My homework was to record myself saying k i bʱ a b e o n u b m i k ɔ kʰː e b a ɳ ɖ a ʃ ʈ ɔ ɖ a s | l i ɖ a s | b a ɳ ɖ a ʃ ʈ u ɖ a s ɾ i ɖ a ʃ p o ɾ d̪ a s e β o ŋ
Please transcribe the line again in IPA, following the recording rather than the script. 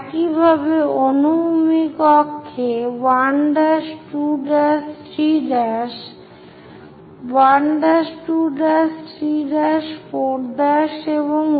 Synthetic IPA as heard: k i bʱ a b e o n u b m i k ɔ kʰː e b a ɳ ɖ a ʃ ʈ u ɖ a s | ɾ i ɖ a ʃ | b a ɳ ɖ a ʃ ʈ u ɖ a s ɾ i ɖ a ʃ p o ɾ d̪ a ʃ e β o ŋ